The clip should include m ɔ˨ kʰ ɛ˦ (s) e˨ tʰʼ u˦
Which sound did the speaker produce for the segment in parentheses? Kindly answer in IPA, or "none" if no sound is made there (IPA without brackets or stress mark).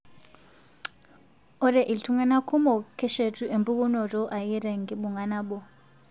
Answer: ʃ